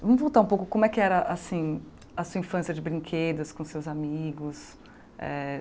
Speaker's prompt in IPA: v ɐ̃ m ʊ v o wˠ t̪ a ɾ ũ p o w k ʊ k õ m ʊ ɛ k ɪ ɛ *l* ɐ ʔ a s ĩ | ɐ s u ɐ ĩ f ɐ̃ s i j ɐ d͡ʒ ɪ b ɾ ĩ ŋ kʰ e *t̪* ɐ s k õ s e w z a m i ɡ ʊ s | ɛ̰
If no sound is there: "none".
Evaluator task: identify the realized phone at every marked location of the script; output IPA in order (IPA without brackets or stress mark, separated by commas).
ɾ, d̪